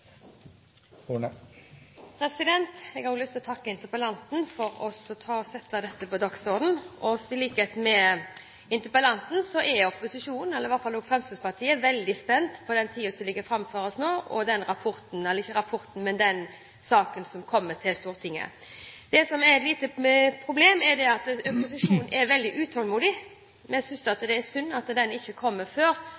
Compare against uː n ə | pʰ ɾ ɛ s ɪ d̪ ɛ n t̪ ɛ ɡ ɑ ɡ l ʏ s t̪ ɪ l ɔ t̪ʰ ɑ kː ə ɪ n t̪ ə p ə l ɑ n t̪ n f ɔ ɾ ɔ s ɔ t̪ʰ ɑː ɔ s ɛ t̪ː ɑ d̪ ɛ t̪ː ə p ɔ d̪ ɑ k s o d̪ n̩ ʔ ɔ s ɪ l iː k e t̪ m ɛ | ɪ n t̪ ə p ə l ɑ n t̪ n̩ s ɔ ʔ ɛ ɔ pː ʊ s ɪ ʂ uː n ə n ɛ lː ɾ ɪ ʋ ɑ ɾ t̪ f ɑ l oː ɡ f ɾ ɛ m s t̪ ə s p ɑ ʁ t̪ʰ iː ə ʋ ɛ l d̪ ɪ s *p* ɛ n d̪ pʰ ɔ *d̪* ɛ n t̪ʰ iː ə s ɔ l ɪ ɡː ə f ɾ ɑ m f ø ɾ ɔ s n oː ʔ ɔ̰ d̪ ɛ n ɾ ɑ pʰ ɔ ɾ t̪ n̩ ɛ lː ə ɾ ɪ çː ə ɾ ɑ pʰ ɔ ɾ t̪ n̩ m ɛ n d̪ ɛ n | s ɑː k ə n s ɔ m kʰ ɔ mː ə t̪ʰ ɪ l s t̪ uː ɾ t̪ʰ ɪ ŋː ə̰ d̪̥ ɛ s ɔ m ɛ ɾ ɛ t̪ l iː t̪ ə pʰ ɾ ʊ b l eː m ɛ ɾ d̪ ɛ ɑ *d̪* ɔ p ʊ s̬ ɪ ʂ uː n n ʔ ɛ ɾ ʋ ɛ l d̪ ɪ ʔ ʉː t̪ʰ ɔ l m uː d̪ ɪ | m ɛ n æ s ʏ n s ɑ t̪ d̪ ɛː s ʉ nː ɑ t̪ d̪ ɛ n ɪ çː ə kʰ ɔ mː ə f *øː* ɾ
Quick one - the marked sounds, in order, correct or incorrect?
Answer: correct, correct, incorrect, correct

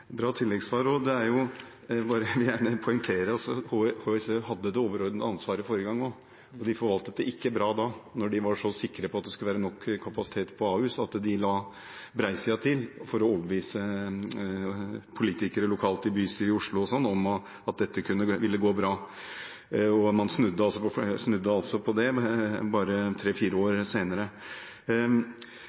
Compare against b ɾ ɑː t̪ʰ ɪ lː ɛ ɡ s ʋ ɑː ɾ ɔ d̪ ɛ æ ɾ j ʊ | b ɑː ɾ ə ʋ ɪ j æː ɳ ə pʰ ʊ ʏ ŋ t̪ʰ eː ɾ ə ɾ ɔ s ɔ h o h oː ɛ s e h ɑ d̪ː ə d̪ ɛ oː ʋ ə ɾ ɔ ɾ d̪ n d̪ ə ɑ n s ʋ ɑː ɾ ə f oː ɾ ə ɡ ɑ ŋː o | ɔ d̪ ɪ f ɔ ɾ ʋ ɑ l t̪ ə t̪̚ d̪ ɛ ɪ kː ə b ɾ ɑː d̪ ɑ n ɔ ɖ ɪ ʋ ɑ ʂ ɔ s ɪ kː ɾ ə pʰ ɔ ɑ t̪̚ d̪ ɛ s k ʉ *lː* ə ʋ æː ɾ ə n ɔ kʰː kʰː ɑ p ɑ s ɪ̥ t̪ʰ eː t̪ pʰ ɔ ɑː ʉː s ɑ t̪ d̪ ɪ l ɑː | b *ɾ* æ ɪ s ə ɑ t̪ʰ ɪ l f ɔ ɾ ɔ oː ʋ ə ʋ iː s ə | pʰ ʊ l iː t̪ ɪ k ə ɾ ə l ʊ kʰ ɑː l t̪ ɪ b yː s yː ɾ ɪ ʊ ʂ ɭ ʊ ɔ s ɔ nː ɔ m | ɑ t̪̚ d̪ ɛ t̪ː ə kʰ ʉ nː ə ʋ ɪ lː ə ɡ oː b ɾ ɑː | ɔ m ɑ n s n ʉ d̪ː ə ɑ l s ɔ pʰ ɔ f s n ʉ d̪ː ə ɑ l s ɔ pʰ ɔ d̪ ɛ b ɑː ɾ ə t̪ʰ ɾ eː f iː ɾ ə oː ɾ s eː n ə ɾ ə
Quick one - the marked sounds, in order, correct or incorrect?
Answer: incorrect, correct

